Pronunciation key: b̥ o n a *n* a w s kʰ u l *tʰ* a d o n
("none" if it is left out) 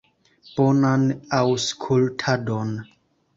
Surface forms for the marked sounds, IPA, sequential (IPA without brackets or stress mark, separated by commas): n, tʰ